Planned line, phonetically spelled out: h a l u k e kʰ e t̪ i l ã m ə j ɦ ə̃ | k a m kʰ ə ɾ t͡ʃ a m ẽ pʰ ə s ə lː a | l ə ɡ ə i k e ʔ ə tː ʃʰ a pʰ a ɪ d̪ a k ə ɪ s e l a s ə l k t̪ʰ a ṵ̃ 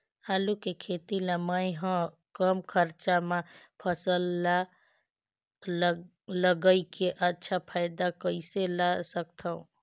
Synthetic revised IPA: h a l u k e kʰ e t̪ i l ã m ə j ɦ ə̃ | k ə m kʰ ə ɾ t͡ʃ a m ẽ pʰ ə s ə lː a | l ə ɡ ə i k e ʔ ə tː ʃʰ a pʰ a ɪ d̪ a k ə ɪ s e l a s ə k t̪ʰ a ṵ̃